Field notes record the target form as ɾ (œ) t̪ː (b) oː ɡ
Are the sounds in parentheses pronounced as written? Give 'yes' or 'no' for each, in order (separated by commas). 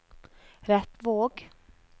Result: no, no